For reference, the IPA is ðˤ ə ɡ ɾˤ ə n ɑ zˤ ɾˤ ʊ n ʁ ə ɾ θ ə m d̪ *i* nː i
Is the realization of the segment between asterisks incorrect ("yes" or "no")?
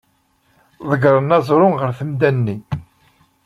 yes